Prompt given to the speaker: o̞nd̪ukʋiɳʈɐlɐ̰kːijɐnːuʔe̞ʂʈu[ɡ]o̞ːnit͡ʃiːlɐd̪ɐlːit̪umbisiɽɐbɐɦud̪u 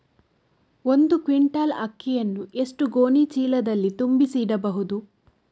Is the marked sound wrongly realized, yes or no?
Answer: no